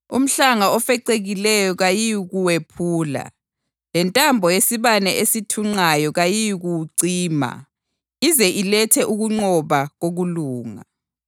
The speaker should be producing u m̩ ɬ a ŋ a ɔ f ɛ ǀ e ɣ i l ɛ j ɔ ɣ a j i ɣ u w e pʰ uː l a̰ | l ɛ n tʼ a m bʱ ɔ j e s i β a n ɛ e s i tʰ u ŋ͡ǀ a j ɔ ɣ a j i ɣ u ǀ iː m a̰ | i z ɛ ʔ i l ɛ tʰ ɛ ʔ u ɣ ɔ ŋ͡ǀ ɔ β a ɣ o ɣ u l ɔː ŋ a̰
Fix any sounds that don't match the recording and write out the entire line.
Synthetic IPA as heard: u m̩ ɬ a ŋ a ɔ f ɛ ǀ e ɣ i l ɛ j ɔ ɣ a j i ɣ u w e pʰ uː l a̰ | l ɛ n tʼ a m bʱ ɔ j e s i β a n ɛ e s i tʰ u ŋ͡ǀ a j ɔ ɣ a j i ɣ u ǀ iː m a̰ | i z ɛ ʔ i l ɛ tʰ ɛ ʔ u ɣ u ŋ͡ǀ ɔ β a ɣ o ɣ u l uː ŋ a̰